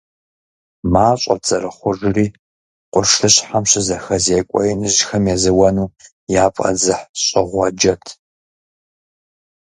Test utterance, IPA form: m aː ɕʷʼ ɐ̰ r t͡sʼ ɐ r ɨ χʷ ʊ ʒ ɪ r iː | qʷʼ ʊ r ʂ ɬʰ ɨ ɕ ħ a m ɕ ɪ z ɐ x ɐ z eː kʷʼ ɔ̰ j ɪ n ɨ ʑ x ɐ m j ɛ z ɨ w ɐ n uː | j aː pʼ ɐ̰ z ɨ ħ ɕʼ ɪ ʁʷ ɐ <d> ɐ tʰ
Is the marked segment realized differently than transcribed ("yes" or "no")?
yes